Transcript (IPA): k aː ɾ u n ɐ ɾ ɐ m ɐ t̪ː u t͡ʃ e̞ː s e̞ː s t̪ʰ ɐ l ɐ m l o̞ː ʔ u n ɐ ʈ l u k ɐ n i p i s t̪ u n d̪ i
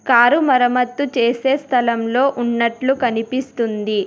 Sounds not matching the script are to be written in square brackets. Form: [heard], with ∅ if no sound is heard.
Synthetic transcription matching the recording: k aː ɾ u [m] ɐ ɾ ɐ m ɐ t̪ː u t͡ʃ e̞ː s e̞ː s t̪ʰ ɐ l ɐ m l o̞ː ʔ u [nː] ɐ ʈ l u k ɐ n i p i s t̪ u n d̪ i